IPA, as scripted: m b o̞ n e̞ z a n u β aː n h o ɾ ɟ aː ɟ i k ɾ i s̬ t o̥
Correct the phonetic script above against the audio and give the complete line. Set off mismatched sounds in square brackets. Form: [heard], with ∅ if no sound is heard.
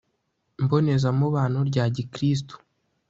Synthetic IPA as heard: m b o̞ n e̞ z a [m] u β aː n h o ɾ ɟ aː ɟ i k ɾ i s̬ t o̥

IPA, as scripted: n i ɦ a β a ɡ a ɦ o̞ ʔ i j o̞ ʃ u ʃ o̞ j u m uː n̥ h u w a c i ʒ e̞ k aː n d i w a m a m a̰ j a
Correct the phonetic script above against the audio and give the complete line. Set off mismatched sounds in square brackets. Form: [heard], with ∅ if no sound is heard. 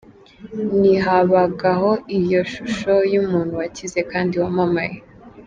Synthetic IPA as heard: n i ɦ a β a ɡ a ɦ o̞ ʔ i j o̞ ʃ u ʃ o̞ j u m uː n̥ h u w a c i [z] e̞ k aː n d i w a m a m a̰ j [e]

